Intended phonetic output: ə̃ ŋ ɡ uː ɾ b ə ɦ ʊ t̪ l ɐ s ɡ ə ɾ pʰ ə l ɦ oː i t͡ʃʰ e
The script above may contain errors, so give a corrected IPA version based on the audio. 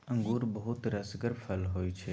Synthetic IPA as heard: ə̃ ŋ ɡ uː ɾ b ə ɦ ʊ t̪ ɾ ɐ s ɡ ə ɾ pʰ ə l ɦ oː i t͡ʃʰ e